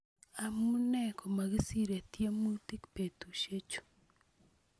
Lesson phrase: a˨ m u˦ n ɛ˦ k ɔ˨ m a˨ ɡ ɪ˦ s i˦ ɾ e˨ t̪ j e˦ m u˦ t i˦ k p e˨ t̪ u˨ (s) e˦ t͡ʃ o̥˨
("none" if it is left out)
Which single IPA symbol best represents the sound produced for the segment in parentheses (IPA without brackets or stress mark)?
ʃ